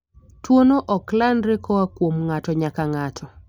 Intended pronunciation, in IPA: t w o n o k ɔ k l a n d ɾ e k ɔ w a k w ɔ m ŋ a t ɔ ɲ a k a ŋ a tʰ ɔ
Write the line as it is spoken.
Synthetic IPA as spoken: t w o n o ʔ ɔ k l a n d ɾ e k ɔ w a k w o m ŋ a t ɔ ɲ a k a ŋ a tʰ ɔ